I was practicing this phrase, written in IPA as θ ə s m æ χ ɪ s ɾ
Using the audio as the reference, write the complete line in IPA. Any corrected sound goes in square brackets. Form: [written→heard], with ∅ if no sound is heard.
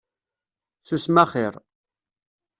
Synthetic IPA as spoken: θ ə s m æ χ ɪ [s→∅] ɾ